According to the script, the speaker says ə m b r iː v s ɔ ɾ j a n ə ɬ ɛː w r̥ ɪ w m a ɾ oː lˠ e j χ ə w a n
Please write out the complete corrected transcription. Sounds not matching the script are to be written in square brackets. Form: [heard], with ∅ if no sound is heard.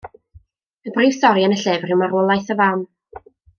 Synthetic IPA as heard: ə [∅] b r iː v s ɔ ɾ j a n ə ɬ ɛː [v] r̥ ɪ w m a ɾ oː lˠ [a] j [θ] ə [v] a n

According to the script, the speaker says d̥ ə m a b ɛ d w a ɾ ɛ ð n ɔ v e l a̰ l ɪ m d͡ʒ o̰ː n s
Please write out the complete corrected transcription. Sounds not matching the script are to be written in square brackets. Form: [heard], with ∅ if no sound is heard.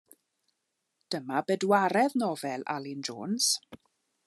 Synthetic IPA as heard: d̥ ə m a b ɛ d w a ɾ ɛ ð n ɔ v [ɛ] l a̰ l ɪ [n] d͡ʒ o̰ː n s

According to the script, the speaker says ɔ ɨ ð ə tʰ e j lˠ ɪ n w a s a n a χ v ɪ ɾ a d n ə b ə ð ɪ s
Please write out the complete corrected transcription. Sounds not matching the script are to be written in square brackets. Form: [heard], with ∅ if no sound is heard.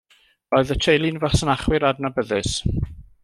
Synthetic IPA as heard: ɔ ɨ ð ə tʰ e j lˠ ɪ n [v] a s [ə] n a χ [w] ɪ ɾ a d n [a] b ə ð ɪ s

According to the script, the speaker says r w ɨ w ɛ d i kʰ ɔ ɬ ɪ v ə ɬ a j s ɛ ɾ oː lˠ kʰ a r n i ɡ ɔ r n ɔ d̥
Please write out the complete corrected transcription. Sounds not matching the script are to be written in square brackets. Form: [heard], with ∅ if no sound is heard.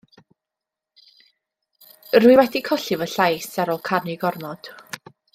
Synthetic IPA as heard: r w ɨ w ɛ d i kʰ ɔ ɬ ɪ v ə ɬ a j s [a] ɾ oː lˠ kʰ a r n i ɡ ɔ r n ɔ d̥

